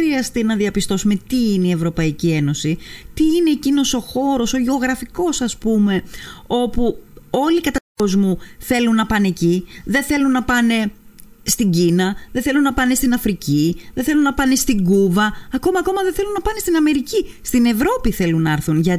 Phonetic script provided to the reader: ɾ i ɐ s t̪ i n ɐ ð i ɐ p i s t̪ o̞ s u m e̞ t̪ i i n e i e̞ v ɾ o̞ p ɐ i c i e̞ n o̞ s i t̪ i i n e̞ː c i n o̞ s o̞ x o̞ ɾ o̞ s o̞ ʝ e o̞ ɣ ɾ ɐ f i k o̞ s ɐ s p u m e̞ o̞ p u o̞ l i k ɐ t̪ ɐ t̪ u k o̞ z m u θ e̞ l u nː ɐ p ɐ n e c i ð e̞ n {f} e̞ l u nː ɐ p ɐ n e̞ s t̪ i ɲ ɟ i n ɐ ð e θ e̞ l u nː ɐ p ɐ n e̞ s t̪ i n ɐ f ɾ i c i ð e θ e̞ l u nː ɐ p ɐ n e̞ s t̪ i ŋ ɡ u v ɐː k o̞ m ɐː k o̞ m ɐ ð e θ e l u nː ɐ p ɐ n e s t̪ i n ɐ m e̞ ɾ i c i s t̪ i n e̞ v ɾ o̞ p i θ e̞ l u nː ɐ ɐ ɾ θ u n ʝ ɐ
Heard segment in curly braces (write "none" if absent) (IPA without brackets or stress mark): θ